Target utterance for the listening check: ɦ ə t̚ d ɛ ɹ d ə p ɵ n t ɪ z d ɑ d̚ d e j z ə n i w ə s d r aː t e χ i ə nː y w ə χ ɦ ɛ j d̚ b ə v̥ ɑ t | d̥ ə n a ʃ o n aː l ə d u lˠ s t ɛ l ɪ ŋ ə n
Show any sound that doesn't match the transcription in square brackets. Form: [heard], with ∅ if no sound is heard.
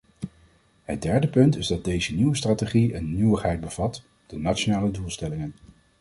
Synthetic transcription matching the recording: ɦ ə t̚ d ɛ ɹ d ə p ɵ n t ɪ z d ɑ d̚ d e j z ə n i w ə s [t] r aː t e χ i ə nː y w ə χ ɦ ɛ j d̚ b ə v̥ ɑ t | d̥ ə n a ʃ o n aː l ə d u lˠ s t ɛ l ɪ ŋ ə n